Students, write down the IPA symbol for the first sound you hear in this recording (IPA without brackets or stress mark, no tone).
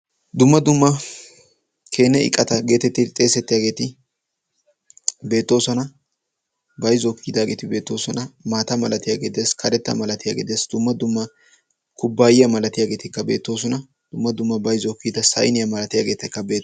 d̪